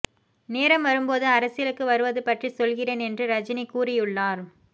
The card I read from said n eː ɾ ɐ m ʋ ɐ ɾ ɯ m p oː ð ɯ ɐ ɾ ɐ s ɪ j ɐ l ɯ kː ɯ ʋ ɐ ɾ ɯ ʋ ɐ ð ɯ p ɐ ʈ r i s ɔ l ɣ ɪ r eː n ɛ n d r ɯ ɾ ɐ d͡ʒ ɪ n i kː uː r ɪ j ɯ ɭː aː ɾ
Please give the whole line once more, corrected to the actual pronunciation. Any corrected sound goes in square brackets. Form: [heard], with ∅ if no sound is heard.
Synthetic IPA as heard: n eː ɾ ɐ m ʋ ɐ ɾ ɯ m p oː ð ɯ ɐ ɾ ɐ s ɪ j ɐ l ɯ kː ɯ ʋ ɐ ɾ ɯ ʋ ɐ ð ɯ p ɐ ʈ r i s ɔ l ɣ ɪ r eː n ɛ n d r ɯ ɾ ɐ d͡ʒ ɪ n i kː uː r ɪ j ɯ ɭː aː ɾ